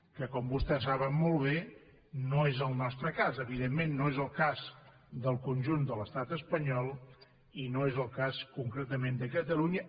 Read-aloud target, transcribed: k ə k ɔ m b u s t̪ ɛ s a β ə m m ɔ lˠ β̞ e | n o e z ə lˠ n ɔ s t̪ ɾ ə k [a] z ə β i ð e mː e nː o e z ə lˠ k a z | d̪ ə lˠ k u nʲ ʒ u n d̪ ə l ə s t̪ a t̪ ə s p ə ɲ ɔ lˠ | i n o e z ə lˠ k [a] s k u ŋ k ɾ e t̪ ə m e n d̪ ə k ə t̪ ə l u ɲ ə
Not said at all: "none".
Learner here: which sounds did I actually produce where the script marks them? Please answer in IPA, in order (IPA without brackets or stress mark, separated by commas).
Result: a, a